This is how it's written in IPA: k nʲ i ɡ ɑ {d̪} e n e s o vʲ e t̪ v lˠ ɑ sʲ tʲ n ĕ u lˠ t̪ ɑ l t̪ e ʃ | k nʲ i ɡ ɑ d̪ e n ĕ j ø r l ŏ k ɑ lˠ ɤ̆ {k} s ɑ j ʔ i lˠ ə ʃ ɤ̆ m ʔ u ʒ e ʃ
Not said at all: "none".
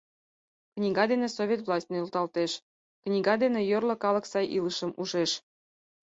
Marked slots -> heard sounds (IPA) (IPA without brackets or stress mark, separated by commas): d̪, k